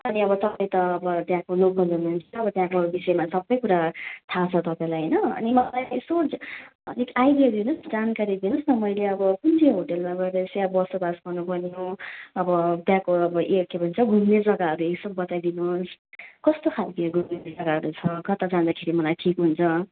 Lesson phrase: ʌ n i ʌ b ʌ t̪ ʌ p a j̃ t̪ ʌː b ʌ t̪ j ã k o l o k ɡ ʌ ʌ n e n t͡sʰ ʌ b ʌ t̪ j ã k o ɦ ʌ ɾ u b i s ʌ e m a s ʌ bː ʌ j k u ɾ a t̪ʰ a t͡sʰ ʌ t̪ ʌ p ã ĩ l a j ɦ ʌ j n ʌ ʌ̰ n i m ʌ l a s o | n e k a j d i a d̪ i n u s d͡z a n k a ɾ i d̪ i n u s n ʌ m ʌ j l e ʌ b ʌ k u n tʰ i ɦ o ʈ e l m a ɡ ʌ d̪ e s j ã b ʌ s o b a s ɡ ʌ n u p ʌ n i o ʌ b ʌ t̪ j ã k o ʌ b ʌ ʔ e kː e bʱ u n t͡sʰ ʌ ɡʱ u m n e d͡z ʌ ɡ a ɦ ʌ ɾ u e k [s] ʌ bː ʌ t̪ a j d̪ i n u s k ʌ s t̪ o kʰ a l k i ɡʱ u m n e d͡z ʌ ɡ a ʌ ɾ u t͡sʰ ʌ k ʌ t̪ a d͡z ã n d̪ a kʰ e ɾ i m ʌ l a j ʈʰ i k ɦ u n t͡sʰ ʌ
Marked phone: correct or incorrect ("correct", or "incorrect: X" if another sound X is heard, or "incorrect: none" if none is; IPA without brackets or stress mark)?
correct